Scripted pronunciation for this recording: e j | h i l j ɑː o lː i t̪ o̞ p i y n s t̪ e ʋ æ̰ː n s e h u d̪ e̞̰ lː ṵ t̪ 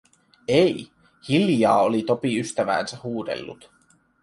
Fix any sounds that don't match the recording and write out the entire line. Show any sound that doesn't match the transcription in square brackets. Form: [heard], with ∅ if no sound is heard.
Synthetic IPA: e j | h i l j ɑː o [l] i t̪ o̞ p i y [∅] s t̪ [æ] ʋ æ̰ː n s [æ] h [uː] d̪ e̞̰ lː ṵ t̪